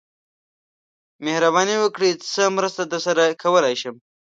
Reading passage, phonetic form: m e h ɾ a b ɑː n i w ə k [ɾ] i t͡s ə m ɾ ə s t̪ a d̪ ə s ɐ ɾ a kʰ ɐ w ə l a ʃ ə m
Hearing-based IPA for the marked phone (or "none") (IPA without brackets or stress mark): ɽ